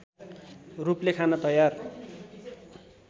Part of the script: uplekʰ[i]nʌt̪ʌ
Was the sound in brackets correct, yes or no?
no